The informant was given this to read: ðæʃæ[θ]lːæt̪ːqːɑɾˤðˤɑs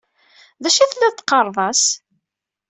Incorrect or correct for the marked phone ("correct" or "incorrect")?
correct